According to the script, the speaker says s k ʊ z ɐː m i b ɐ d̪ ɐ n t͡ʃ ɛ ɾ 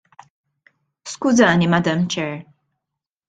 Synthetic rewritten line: s k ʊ z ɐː n i m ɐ d̪ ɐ m t͡ʃ ɛ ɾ